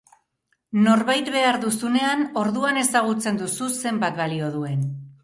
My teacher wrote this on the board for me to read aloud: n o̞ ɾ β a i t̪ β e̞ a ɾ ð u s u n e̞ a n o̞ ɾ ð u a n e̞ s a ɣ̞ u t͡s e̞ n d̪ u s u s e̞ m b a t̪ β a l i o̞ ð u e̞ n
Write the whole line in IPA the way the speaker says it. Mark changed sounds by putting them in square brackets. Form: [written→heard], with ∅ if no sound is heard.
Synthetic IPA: n o̞ ɾ β a [i→j] t̪ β e̞ a ɾ ð u s u n e̞ a n o̞ ɾ ð u a n e̞ s a ɣ̞ u t͡s e̞ n d̪ u s u s e̞ m b a t̪ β a l i o̞ ð u e̞ n